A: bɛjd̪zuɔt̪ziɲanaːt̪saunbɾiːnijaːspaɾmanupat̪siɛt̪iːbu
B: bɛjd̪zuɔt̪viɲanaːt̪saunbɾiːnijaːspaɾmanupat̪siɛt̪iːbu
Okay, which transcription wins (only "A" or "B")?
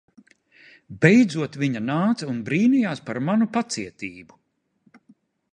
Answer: B